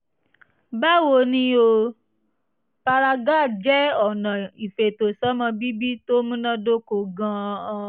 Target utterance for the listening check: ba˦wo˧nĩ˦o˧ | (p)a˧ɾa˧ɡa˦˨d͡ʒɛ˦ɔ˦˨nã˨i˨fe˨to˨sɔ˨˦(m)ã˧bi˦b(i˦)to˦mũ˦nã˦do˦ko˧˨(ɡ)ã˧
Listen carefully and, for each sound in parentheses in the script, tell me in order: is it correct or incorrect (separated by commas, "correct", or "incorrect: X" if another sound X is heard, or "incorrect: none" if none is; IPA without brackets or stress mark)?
correct, correct, correct, correct